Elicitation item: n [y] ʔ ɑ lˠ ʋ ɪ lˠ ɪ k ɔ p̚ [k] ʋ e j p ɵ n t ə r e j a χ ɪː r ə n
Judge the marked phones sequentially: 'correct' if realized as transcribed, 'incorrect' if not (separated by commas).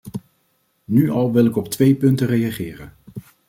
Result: correct, incorrect